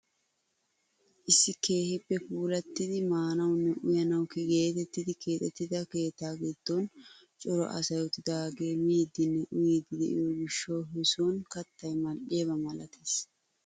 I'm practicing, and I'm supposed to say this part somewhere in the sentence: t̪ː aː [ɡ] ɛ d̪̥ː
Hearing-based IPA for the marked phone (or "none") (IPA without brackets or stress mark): ɡ